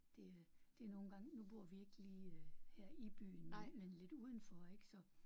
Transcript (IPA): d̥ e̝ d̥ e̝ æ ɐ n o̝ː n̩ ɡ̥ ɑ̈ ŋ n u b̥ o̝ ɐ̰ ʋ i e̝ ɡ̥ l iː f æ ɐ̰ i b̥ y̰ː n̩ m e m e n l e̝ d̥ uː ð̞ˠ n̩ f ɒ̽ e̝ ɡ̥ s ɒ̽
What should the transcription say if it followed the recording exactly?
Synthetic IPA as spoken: d̥ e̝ d̥ e̝ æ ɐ n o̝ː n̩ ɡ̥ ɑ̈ ŋ n u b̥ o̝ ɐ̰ ʋ i e̝ ɡ̥ l iː h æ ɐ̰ i b̥ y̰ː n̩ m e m e n l e̝ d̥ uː ð̞ˠ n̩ f ɒ̽ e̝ ɡ̥ s ɒ̽